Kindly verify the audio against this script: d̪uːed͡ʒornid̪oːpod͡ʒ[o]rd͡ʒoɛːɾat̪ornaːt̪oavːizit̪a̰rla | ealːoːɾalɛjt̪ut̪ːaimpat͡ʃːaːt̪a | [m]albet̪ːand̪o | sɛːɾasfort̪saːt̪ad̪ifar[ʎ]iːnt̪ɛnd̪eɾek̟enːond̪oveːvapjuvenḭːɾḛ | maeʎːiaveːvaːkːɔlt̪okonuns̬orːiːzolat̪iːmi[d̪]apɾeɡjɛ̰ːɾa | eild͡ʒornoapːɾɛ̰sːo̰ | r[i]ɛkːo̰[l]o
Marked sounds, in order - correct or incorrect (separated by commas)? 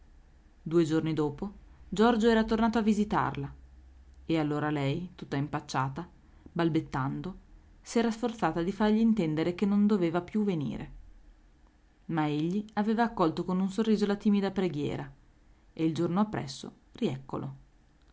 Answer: incorrect, incorrect, correct, correct, correct, correct